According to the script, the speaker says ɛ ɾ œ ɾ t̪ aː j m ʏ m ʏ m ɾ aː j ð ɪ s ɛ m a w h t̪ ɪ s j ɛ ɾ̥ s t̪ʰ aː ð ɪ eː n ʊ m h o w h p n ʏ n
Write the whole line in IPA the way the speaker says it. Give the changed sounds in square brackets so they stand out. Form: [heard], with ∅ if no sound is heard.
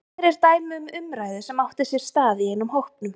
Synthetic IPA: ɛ ɾ [ɛ] ɾ t̪ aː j m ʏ m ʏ m ɾ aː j ð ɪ s ɛ m a w h t̪ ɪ s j ɛ ɾ̥ s [t̪] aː ð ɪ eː n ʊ m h o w h p n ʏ [m]